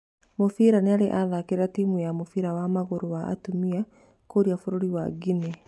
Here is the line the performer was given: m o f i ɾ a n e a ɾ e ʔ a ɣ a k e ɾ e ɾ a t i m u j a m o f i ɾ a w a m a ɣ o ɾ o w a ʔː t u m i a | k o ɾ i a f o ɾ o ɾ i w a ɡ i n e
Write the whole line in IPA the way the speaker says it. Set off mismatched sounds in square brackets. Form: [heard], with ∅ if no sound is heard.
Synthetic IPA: m o f i ɾ a n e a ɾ e ʔ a [ð] a k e ɾ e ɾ a t i m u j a m o f i ɾ a w a m a ɣ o ɾ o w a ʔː t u m i a | k o ɾ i a f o ɾ o ɾ i w a ɡ i n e